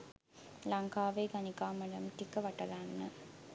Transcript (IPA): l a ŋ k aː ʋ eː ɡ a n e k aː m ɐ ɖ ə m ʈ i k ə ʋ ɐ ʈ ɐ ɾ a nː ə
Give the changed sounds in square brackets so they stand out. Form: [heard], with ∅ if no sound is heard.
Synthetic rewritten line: l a ŋ k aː ʋ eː ɡ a n [i] k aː m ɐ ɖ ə m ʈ i k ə ʋ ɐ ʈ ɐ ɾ a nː ə

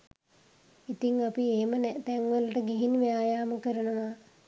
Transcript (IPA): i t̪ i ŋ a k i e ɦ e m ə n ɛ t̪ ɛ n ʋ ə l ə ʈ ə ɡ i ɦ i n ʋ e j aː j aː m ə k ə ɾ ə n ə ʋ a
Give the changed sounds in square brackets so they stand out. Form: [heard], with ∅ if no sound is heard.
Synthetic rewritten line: i t̪ i ŋ a [p] i e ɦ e m ə n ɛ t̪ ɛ [ŋ] ʋ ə l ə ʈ ə ɡ i ɦ i n ʋ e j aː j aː m ə k ə ɾ ə n ə ʋ a

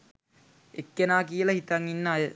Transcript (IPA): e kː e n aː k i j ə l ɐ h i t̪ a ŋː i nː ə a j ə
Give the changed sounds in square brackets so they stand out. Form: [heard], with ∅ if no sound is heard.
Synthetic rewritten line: e kː e n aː k i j ə l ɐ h i t̪ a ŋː i nː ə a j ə

